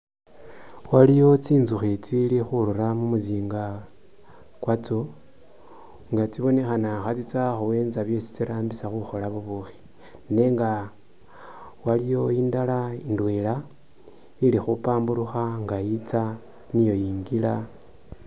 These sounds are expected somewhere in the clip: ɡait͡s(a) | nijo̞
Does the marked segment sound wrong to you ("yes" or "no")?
no